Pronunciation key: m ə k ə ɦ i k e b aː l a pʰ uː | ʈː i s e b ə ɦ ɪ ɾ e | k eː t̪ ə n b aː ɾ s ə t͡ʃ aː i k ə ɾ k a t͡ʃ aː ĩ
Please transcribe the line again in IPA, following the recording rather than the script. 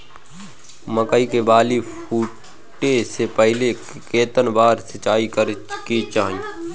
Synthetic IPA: m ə k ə i k e b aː l i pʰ uː | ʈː e s e p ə ɦ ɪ l e | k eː t̪ ə n b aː ɾ s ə t͡ʃ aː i k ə ɾ k i t͡ʃ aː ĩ